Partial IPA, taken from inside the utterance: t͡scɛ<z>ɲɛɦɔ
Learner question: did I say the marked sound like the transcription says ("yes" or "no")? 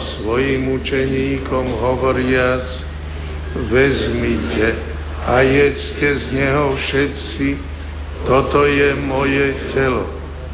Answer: yes